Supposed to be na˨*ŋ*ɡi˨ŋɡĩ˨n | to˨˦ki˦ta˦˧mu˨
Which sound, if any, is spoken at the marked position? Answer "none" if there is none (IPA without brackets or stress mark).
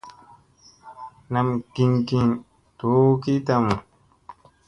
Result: m